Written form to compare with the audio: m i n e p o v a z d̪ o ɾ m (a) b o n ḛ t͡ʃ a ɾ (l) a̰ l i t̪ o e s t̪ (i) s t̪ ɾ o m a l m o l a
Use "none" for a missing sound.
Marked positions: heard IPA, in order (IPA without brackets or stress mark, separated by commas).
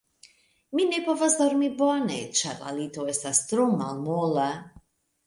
i, l, a